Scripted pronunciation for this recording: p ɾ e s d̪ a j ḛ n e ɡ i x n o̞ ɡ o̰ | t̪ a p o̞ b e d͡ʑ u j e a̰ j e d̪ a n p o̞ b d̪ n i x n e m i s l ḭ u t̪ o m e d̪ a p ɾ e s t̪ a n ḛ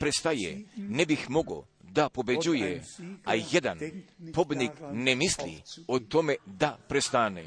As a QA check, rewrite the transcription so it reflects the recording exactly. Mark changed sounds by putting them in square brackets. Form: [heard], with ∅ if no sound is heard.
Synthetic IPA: p ɾ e s [t̪] a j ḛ n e [b] i x [m] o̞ ɡ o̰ | [d̪] a p o̞ b e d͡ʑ u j e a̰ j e d̪ a n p o̞ b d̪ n i [k] n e m i s l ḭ [o] t̪ o m e d̪ a p ɾ e s t̪ a n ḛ